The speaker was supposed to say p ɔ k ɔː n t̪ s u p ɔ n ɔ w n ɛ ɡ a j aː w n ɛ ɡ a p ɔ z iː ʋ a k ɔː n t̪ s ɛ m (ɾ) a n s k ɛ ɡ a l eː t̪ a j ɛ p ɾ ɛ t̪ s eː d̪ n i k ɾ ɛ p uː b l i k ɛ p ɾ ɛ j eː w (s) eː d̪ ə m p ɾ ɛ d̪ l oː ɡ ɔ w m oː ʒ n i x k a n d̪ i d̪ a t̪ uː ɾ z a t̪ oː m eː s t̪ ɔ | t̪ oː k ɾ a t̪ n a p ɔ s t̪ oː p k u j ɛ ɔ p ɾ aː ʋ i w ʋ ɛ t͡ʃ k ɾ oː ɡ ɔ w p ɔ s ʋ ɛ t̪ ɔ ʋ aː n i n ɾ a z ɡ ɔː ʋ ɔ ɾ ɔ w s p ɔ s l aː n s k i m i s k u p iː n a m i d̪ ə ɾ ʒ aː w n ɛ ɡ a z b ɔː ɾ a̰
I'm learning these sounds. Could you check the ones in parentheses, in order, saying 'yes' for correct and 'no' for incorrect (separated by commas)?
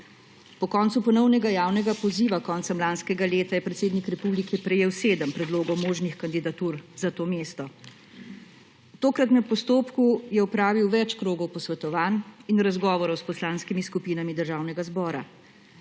no, yes